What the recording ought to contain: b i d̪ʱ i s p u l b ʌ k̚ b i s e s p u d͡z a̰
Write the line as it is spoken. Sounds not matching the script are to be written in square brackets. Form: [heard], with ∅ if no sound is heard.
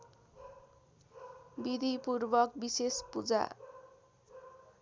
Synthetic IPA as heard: b i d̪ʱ i [∅] p u [r] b ʌ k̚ b i s e s p u d͡z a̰